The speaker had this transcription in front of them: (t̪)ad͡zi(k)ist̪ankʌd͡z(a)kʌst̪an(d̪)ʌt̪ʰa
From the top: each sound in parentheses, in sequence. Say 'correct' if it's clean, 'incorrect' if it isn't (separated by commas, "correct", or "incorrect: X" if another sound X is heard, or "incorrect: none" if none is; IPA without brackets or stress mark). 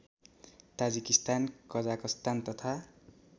correct, correct, correct, incorrect: t̪